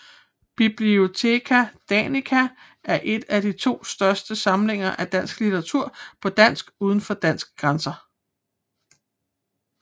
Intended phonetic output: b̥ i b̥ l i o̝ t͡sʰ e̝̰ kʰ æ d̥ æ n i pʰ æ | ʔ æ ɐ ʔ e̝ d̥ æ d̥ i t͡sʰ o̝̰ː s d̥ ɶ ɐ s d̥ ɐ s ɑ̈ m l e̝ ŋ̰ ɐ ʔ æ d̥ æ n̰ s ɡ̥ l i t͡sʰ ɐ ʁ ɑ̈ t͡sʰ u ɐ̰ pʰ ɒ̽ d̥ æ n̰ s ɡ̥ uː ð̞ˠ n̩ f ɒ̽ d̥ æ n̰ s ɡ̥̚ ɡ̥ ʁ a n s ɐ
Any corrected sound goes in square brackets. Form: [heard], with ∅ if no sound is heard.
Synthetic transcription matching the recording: b̥ i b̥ l i o̝ t͡sʰ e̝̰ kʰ æ d̥ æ n i [kʰ] æ | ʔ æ ɐ ʔ e̝ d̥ æ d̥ i t͡sʰ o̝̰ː s d̥ ɶ ɐ s d̥ [ə] s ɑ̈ m l e̝ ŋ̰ ɐ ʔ æ d̥ æ n̰ s ɡ̥ l i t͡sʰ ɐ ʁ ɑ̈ t͡sʰ u ɐ̰ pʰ ɒ̽ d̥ æ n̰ s ɡ̥ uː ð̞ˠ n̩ f ɒ̽ d̥ æ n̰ s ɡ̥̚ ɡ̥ ʁ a n s ɐ